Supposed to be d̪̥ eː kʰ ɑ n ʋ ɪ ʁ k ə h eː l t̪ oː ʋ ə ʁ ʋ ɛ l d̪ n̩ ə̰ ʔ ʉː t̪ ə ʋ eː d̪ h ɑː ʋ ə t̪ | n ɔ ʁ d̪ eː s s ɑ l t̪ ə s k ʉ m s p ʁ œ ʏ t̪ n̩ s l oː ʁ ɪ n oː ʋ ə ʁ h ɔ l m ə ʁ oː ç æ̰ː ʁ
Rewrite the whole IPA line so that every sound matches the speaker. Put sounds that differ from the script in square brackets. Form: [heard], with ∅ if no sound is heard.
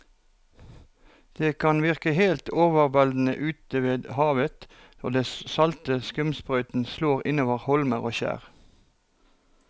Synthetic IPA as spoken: d̪̥ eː kʰ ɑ n ʋ ɪ ʁ k ə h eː l t̪ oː ʋ ə ʁ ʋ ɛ l d̪ n̩ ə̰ ʔ ʉː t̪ ə ʋ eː d̪ h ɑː ʋ ə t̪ | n ɔ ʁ d̪ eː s s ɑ l t̪ ə s k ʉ m s p ʁ œ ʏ t̪ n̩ s l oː ʁ ɪ n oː ʋ ə ʁ h ɔ l m ə ʁ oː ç æ̰ː ʁ

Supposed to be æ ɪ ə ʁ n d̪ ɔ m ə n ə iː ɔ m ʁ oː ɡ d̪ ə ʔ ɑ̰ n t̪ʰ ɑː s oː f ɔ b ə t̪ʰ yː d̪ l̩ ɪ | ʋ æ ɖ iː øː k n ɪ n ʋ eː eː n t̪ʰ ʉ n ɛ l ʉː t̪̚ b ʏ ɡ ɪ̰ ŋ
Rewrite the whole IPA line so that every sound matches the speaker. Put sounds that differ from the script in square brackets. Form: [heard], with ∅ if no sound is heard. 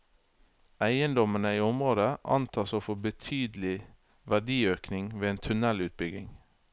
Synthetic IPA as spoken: æ ɪ ə [∅] n d̪ ɔ m ə n ə iː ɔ m ʁ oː [∅] d̪ ə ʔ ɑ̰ n t̪ʰ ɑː s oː f ɔ b ə t̪ʰ yː d̪ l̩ ɪ | ʋ æ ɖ iː øː k n ɪ [ŋ] ʋ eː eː n t̪ʰ ʉ n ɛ l ʉː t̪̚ b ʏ ɡ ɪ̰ ŋ

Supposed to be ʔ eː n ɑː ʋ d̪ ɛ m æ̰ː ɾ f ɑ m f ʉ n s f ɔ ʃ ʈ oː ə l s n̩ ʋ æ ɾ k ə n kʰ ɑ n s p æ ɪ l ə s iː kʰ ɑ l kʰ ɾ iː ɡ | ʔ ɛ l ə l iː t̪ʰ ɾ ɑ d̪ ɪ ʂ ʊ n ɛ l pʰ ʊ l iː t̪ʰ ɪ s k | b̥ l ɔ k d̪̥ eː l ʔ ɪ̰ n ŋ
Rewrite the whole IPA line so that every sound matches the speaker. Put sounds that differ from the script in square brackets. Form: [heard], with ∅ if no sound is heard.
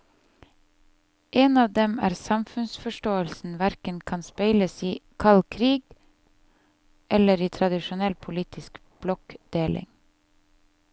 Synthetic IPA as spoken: ʔ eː n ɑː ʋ d̪ ɛ m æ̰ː ɾ [s] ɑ m f ʉ n s f ɔ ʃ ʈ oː ə l s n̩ ʋ æ ɾ k ə n kʰ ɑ n s p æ ɪ l ə s iː kʰ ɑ l kʰ ɾ iː ɡ | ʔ ɛ l ə [ɾ] iː t̪ʰ ɾ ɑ d̪ ɪ [ʃ] ʊ n ɛ l pʰ ʊ l iː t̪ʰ ɪ s k | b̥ l ɔ k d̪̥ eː l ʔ ɪ̰ [∅] ŋ

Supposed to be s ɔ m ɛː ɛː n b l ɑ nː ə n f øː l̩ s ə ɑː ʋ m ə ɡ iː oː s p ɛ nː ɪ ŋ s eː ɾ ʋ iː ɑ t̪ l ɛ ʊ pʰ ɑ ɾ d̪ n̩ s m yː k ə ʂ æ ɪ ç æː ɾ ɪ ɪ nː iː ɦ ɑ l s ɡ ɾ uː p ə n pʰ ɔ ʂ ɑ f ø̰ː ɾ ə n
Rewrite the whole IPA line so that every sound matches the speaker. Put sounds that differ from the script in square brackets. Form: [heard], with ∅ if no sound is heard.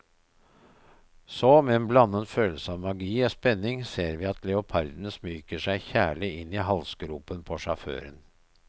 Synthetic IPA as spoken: s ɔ m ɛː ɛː n b l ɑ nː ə n f øː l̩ s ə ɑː ʋ m [ɑ] ɡ iː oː s p ɛ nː ɪ ŋ s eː ɾ ʋ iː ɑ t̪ l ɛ ʊ pʰ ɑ ɾ d̪ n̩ s m yː k ə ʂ æ ɪ ç æː [ɭ] ɪ ɪ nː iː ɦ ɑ l s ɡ ɾ uː p ə n pʰ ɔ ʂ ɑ f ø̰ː ɾ ə n

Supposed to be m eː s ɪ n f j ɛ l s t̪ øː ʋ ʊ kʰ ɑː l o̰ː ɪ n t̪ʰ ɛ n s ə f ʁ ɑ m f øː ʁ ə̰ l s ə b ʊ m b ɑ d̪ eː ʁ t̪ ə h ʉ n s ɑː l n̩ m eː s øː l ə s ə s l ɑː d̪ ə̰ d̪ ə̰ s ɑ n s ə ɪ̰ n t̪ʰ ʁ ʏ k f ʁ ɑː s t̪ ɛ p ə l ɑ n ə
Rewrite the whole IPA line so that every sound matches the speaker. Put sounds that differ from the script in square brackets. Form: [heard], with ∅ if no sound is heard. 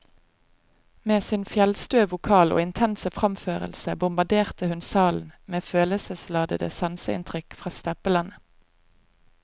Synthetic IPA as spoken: m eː s ɪ n f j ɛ l s t̪ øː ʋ ʊ kʰ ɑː l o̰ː ɪ n t̪ʰ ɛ n s ə f ʁ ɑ m f øː ʁ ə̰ l s ə b ʊ m b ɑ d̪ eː ʁ t̪ ə h ʉ n s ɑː l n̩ m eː [f] øː l ə s ə s l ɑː d̪ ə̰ d̪ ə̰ s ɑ n s ə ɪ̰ n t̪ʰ ʁ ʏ k f ʁ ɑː s t̪ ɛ p ə l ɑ n ə

